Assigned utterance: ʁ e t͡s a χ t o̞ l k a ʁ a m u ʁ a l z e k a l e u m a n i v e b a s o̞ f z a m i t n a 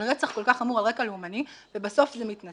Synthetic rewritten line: ʁ e t͡s a χ k o̞ l k a χ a m u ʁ a l ʁ e k a l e u m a n i v e b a s o̞ f z e m i t n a